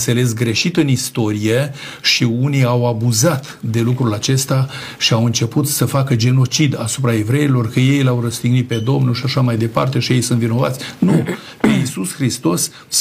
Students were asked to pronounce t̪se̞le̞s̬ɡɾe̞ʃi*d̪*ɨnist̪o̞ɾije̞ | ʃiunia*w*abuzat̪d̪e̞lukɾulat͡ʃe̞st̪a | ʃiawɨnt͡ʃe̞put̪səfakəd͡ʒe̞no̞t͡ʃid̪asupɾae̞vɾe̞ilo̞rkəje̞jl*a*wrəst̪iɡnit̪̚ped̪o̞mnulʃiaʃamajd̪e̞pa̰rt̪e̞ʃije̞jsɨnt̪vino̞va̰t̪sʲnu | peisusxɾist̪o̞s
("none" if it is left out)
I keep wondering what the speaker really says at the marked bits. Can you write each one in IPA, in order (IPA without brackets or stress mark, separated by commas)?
t̪, w, a